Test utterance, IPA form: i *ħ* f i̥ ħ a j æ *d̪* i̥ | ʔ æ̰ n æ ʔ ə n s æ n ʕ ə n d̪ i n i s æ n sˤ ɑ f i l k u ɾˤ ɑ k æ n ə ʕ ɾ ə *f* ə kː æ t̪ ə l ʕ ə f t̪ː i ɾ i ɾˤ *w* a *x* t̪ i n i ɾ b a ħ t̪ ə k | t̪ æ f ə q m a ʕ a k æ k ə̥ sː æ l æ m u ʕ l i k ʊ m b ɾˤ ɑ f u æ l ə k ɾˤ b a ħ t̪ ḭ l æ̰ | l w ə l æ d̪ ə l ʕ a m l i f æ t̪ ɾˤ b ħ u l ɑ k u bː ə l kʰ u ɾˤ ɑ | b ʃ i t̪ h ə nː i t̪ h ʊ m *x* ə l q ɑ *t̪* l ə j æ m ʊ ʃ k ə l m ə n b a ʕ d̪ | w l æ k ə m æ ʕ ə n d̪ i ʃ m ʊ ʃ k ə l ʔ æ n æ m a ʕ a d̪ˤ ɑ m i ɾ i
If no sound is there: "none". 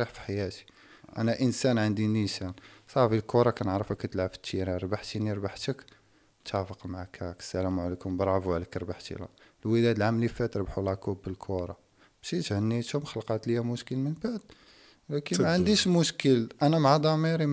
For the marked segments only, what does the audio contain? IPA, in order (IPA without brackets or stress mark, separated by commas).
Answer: ħ, t̪, f, b, ħ, x, t̪